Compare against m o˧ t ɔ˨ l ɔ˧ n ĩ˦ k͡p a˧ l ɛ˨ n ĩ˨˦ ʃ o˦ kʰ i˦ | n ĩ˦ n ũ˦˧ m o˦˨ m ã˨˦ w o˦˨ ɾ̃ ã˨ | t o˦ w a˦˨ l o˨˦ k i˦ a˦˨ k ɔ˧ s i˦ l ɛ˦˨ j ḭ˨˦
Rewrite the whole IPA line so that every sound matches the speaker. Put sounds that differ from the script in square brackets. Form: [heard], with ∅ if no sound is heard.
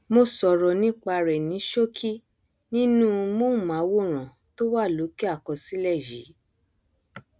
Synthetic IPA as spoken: m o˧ [s] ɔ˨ [ɾ] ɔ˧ n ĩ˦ k͡p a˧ [ɾ] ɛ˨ n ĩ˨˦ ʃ o˦ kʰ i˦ | n ĩ˦ n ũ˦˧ m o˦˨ m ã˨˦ w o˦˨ ɾ̃ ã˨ | t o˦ w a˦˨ l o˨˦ k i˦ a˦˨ k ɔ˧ s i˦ l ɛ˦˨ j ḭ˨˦